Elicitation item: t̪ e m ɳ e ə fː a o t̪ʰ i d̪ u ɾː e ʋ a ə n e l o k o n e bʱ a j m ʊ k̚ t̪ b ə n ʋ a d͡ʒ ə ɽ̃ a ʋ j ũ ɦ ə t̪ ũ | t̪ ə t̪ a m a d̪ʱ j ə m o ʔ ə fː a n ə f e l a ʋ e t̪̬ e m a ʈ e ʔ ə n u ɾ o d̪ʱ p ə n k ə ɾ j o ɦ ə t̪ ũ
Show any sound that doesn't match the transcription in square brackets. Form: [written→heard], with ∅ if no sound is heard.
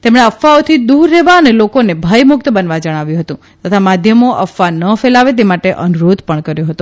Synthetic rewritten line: t̪ e m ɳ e ə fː a o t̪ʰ i d̪ u ɾː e ʋ a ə n e l o k o n e bʱ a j m ʊ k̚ t̪ b ə n ʋ a d͡ʒ ə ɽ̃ a ʋ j ũ ɦ ə t̪ ũ | t̪ ə [t̪→t̪ʰ] a m a d̪ʱ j ə m o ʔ ə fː a n ə f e l a ʋ e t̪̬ e m a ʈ e ʔ ə n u ɾ o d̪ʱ p ə [n→ɳ] k ə ɾ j o ɦ ə t̪ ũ